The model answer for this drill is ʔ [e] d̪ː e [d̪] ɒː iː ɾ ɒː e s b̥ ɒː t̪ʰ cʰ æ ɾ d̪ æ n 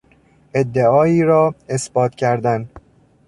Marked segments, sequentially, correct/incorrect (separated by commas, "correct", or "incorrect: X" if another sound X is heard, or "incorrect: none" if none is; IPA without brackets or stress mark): correct, incorrect: none